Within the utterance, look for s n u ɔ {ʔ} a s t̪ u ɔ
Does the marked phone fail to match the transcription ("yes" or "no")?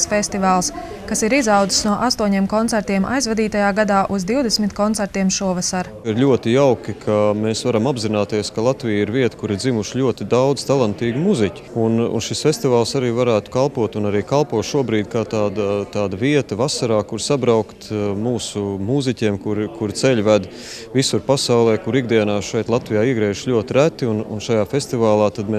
no